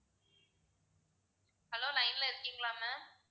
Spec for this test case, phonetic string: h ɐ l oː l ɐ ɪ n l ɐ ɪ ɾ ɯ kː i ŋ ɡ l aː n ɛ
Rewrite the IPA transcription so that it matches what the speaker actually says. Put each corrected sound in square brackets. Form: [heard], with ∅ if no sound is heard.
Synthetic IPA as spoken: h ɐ l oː l ɐ ɪ n l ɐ ɪ ɾ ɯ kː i ŋ ɡ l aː [m] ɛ